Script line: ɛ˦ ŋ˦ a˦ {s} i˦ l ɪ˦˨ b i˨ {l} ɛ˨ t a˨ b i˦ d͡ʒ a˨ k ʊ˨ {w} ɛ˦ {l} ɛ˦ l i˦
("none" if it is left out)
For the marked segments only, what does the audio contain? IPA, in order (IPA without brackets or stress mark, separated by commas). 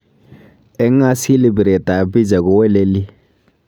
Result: s, ɾ, w, l